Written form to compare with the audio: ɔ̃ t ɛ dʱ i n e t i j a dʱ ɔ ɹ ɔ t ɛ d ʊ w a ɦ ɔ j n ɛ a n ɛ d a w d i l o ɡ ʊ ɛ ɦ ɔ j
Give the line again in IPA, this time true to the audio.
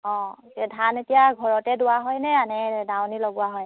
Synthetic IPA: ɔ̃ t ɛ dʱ a n e t i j a ɡʱ ɔ ɹ ɔ t ɛ d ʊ w a ɦ ɔ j n ɛ a n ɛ d a w n i l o ɡ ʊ a ɦ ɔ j